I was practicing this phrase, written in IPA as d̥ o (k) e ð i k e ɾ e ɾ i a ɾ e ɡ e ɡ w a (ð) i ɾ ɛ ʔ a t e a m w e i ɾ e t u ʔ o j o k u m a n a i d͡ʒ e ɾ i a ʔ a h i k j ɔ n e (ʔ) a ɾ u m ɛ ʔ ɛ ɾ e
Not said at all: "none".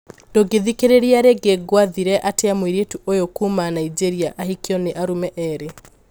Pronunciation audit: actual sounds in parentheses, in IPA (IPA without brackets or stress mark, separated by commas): ɡ, ð, ʔ